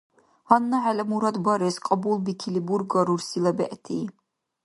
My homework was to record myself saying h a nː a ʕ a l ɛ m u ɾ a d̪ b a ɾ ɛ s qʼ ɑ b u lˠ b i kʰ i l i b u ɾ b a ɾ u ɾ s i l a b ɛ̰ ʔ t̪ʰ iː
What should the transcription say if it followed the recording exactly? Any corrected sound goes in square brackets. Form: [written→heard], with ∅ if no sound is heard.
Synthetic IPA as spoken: h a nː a ʕ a l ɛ m u ɾ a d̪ b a ɾ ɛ s qʼ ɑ b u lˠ b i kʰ i l i b u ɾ [b→ɡ] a ɾ u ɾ s i l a b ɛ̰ ʔ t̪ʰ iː